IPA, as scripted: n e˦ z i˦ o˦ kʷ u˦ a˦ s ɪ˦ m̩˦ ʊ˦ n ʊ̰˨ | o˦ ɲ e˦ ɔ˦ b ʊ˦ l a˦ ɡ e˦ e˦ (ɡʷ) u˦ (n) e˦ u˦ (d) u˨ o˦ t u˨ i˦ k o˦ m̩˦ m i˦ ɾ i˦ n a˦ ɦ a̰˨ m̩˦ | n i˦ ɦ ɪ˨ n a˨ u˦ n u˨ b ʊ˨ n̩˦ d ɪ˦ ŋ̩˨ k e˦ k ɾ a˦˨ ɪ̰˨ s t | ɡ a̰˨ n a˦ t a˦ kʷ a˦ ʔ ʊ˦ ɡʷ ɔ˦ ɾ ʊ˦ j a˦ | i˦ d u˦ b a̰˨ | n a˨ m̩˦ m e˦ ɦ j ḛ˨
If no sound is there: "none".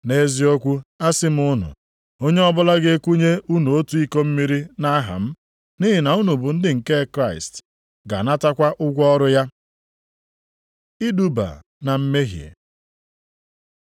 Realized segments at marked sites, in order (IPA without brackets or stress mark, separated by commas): kʷ, ɲ, n